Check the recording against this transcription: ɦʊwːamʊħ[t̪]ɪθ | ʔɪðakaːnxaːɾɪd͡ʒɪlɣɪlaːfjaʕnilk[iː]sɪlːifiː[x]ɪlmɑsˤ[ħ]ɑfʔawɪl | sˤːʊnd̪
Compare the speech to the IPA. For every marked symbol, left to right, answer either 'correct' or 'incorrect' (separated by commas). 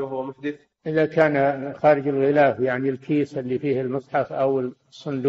incorrect, correct, incorrect, correct